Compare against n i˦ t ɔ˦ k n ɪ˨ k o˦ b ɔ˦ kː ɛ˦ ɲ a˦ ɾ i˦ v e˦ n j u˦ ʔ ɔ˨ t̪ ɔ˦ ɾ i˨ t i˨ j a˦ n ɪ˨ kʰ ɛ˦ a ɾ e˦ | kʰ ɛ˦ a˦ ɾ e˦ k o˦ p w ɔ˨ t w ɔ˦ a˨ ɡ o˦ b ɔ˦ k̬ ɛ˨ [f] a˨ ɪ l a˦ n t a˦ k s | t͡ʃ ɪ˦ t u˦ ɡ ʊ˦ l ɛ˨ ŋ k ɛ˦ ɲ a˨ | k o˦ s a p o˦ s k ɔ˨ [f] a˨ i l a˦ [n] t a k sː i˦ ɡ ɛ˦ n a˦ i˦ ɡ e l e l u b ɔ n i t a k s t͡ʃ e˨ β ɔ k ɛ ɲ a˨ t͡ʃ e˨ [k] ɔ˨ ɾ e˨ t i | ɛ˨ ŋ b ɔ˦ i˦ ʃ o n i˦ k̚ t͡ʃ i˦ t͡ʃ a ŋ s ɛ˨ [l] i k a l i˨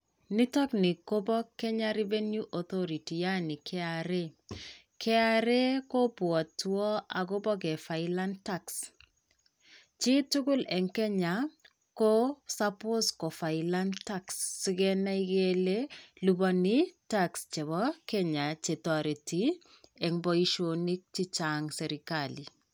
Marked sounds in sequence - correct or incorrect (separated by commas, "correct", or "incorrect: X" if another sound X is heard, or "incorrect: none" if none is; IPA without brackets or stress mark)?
correct, correct, correct, incorrect: t, incorrect: ɾ